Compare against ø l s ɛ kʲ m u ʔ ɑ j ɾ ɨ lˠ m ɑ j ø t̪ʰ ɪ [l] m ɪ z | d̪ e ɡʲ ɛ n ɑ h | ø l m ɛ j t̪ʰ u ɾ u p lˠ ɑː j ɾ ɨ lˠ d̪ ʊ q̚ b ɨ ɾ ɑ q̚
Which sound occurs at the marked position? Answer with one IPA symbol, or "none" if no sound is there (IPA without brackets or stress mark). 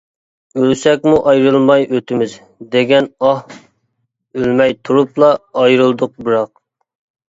none